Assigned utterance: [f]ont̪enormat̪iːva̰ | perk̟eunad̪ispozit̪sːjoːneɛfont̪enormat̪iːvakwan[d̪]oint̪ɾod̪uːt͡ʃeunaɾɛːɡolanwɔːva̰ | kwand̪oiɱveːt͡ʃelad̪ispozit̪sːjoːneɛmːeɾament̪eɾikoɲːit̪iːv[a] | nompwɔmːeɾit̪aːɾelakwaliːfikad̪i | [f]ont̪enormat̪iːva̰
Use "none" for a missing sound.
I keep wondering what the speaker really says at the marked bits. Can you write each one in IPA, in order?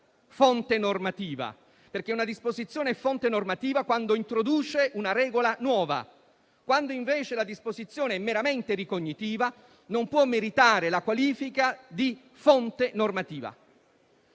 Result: f, d̪, a, f

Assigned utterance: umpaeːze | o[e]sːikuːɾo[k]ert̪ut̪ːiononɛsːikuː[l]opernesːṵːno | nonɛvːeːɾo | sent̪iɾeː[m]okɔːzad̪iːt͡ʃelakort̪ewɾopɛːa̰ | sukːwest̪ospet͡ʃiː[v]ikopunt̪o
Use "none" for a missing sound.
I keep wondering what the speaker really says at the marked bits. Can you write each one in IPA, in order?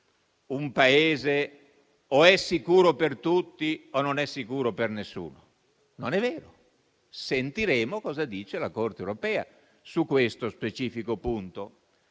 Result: ɛ, p, ɾ, m, f

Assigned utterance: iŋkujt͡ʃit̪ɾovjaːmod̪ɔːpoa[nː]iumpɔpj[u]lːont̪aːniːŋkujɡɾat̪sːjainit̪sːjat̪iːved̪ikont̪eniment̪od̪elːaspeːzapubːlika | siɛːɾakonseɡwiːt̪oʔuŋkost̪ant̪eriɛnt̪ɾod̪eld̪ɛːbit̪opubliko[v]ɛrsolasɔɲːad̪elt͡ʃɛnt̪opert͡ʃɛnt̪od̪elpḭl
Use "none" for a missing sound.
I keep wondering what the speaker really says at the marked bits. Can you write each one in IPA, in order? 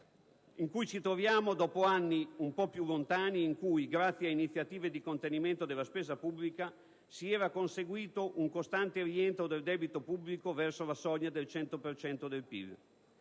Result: nː, u, v

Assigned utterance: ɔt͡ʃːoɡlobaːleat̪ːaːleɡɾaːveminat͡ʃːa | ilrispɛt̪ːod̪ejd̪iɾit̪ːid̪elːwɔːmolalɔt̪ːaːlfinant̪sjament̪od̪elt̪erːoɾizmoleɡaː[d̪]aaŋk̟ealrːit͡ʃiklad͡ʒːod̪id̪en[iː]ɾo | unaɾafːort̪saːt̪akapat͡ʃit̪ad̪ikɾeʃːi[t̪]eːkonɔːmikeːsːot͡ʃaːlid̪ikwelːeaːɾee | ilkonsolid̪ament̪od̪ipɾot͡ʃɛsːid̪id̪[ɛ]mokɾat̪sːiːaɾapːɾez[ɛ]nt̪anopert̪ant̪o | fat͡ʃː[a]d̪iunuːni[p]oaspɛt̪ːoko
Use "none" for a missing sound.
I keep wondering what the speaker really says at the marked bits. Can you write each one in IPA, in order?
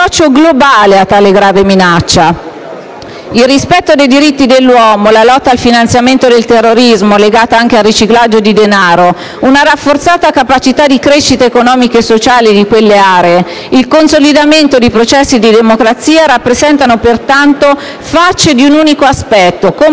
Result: t̪, aː, t̪, e, ɛ, e, k

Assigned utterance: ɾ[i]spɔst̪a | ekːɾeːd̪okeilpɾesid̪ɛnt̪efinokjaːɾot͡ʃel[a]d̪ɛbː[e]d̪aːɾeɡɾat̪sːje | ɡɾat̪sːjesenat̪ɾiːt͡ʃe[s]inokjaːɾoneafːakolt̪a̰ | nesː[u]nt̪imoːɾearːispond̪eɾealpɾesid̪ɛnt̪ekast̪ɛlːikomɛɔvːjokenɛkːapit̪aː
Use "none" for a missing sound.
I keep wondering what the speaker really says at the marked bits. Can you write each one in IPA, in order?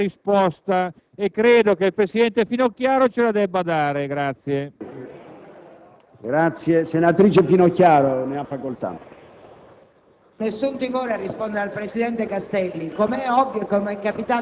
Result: i, a, a, f, u

